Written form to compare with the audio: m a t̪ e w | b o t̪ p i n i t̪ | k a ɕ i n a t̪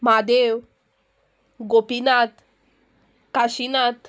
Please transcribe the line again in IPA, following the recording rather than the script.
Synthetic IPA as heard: m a d̪ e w | ɡ o p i n a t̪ | k a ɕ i n a t̪